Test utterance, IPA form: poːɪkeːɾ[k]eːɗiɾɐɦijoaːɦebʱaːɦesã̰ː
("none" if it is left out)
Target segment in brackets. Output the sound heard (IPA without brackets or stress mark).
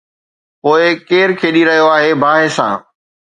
kʰ